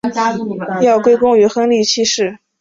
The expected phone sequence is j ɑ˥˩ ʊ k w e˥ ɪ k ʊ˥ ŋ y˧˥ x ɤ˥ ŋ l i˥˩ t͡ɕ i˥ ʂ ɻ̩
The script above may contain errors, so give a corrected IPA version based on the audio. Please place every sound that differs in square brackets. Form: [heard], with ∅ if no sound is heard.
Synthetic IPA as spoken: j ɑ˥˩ ʊ k w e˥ ɪ k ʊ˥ ŋ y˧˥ x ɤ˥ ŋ l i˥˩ [t͡ɕʰ] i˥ ʂ ɻ̩